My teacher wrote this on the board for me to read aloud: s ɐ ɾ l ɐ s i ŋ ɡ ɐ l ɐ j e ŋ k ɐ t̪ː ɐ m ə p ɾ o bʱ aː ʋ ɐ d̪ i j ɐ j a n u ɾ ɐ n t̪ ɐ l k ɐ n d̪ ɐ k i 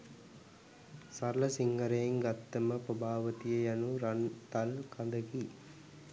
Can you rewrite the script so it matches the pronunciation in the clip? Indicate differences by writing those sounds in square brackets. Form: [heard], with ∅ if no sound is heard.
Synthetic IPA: s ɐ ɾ l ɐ s i ŋ ɡ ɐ [ɾ] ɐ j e ŋ [ɡ] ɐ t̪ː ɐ m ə p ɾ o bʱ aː ʋ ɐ [t̪] i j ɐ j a n u ɾ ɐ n t̪ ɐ l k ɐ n d̪ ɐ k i